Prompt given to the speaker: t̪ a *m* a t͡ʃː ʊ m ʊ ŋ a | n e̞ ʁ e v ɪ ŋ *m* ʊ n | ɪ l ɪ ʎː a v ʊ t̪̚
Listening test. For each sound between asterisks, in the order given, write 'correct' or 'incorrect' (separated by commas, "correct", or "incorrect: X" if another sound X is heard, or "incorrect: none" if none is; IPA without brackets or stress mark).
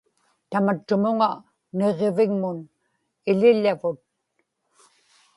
correct, correct